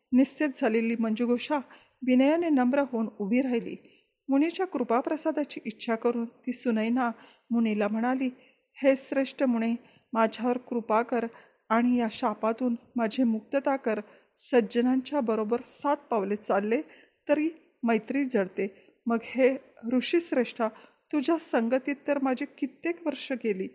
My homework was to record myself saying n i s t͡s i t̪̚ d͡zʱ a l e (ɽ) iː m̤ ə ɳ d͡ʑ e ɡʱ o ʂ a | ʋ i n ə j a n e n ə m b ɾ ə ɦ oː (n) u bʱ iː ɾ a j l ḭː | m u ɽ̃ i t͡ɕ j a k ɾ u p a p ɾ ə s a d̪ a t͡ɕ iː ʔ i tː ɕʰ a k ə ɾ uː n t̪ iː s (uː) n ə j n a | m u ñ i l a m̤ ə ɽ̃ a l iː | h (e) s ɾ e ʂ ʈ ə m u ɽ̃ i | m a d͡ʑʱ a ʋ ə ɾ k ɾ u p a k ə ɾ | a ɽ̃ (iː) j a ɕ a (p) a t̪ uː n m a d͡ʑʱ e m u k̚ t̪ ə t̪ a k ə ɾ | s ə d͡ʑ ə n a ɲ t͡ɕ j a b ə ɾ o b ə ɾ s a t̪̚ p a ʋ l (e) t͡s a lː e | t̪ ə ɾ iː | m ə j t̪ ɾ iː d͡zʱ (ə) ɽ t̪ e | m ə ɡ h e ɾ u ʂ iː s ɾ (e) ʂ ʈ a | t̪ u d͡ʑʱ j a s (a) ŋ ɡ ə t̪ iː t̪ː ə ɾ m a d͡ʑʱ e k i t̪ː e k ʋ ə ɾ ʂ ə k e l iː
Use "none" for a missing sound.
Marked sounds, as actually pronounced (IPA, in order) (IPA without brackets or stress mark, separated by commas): l, n, u, e, i, p, e, ə, e, ə